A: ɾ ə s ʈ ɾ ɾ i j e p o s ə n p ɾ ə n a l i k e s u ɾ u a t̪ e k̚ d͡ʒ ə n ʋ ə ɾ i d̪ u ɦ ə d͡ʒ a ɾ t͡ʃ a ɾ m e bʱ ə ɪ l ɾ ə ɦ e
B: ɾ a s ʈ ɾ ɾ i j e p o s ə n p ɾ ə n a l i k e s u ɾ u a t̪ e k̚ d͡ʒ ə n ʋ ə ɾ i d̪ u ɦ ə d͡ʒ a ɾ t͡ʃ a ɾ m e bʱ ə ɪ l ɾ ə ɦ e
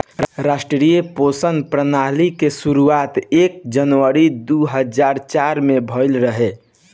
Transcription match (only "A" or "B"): B